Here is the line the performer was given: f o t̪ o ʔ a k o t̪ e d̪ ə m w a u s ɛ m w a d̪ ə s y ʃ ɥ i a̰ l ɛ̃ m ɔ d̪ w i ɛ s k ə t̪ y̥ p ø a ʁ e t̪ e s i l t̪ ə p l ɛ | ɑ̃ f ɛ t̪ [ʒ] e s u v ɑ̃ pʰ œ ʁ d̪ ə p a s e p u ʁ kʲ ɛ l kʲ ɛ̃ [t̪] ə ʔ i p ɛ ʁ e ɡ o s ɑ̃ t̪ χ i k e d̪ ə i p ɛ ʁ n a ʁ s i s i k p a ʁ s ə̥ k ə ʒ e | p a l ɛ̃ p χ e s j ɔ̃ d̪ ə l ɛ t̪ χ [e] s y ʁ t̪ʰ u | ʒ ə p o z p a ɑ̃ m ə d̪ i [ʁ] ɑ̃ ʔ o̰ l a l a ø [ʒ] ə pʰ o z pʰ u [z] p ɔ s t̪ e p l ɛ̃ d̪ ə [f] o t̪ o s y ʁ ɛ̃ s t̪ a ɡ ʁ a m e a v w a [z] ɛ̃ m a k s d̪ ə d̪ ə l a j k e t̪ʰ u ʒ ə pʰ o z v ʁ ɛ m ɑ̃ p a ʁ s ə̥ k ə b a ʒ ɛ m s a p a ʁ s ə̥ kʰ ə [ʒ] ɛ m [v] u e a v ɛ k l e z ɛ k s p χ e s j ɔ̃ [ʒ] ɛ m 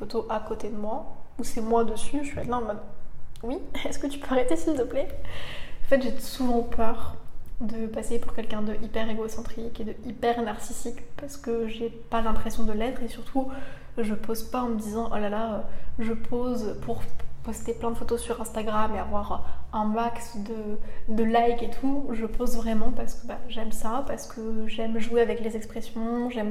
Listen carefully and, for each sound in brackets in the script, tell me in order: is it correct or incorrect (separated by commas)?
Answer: correct, incorrect, correct, incorrect, correct, incorrect, correct, incorrect, correct, incorrect, correct